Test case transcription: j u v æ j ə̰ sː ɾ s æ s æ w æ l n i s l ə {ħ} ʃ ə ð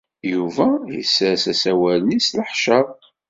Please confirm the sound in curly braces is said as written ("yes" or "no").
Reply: yes